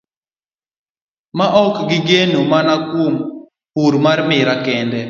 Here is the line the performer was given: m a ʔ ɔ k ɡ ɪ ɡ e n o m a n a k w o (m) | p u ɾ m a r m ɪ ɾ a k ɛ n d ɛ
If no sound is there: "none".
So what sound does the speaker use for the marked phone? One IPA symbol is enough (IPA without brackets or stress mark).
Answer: m